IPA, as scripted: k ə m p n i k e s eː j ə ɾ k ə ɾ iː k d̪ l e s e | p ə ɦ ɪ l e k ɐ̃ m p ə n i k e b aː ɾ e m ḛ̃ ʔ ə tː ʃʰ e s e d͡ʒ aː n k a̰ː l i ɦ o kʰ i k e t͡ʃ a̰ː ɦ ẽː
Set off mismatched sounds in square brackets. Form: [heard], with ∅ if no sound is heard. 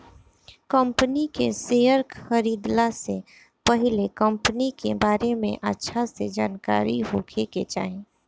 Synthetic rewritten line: k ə m p n i k e s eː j ə ɾ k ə ɾ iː [∅] d̪ l [a] s e | p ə ɦ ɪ l e k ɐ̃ m p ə n i k e b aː ɾ e m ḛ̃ ʔ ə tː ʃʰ [a] s e d͡ʒ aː n k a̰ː [ɾ] i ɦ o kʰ [e] k e t͡ʃ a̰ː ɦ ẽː